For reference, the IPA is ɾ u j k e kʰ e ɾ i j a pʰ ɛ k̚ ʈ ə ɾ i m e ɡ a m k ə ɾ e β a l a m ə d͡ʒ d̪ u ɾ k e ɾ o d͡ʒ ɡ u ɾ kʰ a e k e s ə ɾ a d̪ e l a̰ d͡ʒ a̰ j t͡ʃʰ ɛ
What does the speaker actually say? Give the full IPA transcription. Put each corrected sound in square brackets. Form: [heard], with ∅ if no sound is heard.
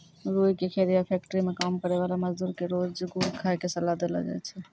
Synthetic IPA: ɾ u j k e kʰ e ɾ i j a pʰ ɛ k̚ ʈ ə ɾ i m e [k] a m k ə ɾ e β a l a m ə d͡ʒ d̪ u ɾ k e ɾ o d͡ʒ ɡ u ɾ kʰ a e k e s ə [l] a d̪ e l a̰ d͡ʒ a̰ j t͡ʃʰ ɛ